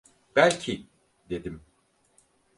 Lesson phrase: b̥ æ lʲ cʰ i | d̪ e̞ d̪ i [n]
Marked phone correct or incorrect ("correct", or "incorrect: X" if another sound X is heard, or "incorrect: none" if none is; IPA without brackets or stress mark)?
incorrect: m